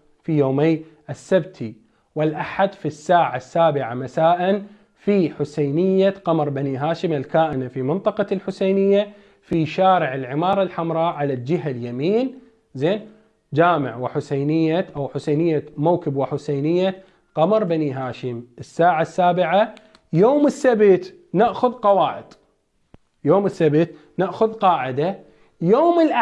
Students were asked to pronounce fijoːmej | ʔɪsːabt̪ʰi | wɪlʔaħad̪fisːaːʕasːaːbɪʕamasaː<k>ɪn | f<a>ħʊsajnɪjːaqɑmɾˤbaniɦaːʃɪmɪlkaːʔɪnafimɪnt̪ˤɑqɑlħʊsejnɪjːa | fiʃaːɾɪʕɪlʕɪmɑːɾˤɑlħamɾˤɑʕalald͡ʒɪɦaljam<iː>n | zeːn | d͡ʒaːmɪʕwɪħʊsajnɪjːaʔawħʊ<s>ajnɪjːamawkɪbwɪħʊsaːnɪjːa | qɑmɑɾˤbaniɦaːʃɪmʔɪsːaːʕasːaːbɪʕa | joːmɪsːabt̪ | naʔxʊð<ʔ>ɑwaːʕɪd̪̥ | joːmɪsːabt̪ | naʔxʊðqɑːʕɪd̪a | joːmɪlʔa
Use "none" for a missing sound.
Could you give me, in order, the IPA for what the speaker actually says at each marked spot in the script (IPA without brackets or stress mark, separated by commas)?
ʔ, i, iː, s, q